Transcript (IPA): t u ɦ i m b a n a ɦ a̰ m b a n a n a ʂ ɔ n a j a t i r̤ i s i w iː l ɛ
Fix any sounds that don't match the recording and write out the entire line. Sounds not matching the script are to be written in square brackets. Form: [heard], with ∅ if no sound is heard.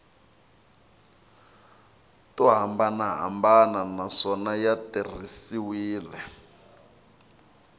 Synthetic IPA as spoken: t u ɦ [a] m b a n a ɦ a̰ m b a n a n a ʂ ɔ n a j a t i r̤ i s i w iː l ɛ